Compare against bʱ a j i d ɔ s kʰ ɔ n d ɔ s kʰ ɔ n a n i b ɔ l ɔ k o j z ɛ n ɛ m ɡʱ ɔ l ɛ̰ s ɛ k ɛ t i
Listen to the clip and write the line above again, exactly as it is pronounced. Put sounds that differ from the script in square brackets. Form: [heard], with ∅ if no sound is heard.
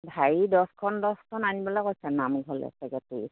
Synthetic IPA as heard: bʱ a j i d ɔ s kʰ ɔ n d ɔ s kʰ ɔ n a n i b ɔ l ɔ k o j [s] ɛ n [a] m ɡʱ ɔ l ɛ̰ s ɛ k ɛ t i